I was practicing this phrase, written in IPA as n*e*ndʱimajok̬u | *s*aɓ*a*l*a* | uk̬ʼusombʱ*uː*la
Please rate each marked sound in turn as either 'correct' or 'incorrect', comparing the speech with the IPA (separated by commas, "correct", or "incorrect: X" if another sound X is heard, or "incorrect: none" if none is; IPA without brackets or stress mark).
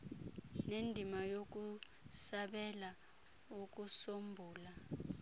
correct, correct, incorrect: ɛ, correct, correct